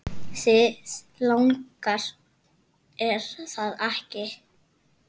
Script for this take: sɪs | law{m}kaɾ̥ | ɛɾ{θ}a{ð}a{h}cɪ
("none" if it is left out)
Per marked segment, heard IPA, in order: ŋ, θ, ð, h

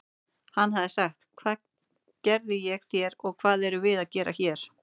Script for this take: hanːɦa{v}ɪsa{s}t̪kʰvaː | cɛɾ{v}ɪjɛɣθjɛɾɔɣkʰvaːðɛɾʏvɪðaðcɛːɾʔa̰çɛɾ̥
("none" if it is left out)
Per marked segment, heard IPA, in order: ð, x, ð

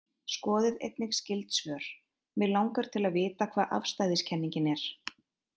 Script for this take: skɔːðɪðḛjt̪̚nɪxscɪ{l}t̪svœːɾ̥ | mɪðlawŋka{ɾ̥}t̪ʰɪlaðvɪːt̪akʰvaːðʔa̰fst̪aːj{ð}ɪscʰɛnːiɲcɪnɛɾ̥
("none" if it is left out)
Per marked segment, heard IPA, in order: l, ɾ̥, ð

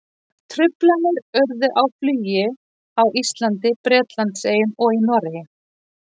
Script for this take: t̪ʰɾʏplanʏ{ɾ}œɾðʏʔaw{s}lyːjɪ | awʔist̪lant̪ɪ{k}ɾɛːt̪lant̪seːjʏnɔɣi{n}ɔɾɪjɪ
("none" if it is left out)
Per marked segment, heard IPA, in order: ɾ, f, p, n

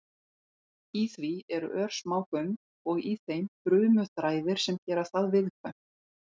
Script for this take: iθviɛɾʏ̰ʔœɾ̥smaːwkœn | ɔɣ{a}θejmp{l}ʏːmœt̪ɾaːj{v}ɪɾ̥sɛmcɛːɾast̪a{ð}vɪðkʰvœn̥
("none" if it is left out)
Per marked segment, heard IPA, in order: i, ɾ, ð, ð

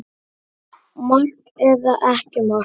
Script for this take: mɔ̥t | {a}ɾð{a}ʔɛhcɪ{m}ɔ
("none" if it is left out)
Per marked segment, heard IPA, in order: ɛ, a, m

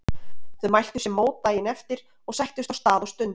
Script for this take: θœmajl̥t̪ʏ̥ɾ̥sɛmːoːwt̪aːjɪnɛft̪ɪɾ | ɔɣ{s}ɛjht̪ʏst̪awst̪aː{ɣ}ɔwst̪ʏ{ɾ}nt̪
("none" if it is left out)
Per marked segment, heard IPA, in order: s, ð, none

